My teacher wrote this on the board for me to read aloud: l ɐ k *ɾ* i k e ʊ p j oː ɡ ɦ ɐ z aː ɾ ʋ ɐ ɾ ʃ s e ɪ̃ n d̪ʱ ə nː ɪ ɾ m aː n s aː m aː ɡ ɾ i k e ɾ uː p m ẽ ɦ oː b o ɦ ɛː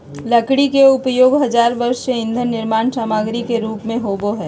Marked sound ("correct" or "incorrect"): incorrect